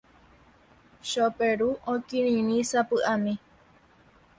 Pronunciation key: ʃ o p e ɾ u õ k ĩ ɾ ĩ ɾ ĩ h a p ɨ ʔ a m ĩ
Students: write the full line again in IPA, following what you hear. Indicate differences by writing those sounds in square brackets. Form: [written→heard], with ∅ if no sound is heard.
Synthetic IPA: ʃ o p e ɾ u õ k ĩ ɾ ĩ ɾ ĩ [h→s] a p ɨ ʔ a m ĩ

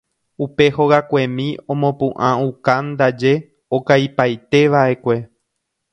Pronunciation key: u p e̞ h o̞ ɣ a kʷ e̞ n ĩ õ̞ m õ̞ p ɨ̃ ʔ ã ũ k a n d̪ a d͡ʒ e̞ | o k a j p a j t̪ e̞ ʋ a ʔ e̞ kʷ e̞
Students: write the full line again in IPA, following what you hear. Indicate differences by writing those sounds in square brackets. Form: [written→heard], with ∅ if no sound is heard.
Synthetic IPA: u p e̞ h o̞ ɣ a kʷ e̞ [n→m] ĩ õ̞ m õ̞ p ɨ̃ ʔ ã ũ k a n d̪ a d͡ʒ e̞ | o k a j p a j t̪ e̞ ʋ a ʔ e̞ kʷ e̞

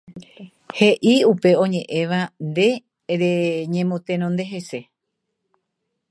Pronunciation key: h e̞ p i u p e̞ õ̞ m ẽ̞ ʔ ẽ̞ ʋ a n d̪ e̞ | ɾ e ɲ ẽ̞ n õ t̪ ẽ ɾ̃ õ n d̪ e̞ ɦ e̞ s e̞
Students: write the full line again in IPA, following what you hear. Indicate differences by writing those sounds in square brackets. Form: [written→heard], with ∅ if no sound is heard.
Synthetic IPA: h e̞ [p→ʔ] i u p e̞ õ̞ [m→ɲ] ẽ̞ ʔ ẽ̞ ʋ a n d̪ e̞ | ɾ e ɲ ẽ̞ [n→m] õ t̪ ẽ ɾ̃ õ n d̪ e̞ ɦ e̞ s e̞

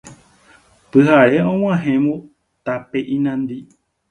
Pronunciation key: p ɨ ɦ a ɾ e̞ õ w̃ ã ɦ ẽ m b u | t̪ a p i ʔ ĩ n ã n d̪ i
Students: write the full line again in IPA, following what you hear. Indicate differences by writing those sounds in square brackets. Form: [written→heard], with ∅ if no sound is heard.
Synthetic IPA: p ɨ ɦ a ɾ e̞ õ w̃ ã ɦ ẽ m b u | t̪ a p [i→e] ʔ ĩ n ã n d̪ i

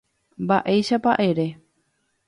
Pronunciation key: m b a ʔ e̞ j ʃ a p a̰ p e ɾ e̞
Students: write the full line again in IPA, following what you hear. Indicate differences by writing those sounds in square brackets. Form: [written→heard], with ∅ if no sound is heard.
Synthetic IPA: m b a ʔ e̞ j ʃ a p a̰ [p→ʔ] e ɾ e̞

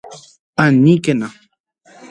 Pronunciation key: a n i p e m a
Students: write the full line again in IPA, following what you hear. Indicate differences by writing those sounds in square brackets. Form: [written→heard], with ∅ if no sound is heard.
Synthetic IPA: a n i [p→k] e [m→n] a

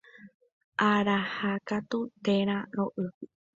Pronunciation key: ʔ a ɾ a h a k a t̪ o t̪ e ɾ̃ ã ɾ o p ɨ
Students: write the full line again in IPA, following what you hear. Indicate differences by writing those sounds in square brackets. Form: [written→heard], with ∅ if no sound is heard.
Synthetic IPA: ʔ a ɾ a h a k a t̪ [o→u] t̪ e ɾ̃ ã ɾ o [p→ʔ] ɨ

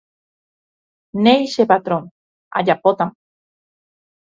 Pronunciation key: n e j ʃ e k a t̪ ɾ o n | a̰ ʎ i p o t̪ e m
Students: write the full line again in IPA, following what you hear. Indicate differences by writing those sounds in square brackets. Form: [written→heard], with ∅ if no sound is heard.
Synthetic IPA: n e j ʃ e [k→p] a t̪ ɾ o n | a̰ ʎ [i→a] p o t̪ [e→a] m

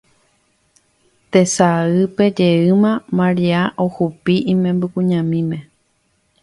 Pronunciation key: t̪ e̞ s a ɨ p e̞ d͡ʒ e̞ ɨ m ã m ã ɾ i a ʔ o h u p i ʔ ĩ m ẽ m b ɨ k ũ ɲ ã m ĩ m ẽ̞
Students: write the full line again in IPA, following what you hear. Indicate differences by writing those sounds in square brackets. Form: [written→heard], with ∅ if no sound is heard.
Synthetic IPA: t̪ e̞ s a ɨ p e̞ d͡ʒ e̞ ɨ m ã m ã ɾ i a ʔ o h u p i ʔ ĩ m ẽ m b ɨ k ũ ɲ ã m ĩ m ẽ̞

